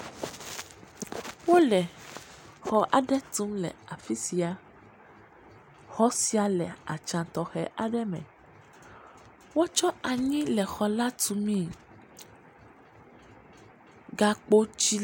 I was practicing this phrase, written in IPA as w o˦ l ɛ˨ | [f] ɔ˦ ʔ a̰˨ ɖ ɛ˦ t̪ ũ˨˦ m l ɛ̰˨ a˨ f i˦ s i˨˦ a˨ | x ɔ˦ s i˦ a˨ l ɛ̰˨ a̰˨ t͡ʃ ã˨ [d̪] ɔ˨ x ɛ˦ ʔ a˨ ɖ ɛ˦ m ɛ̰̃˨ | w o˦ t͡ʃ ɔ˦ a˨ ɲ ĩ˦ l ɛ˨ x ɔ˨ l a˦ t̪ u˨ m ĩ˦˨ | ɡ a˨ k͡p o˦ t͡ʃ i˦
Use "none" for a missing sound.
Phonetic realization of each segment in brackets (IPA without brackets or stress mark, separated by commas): x, t̪